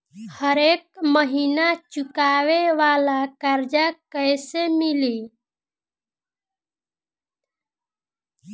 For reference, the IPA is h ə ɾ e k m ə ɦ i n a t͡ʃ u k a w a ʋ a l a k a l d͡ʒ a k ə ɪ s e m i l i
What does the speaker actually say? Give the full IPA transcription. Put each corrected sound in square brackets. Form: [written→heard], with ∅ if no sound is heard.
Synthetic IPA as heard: h ə ɾ e k m ə ɦ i n a t͡ʃ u k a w [a→e] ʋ a l a k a [l→ɾ] d͡ʒ a k ə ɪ s e m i l i